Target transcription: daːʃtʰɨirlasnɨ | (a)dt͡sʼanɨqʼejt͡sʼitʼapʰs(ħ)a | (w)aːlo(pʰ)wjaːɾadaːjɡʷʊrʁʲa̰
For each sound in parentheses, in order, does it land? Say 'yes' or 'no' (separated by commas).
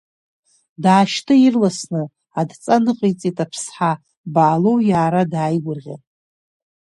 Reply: yes, yes, no, no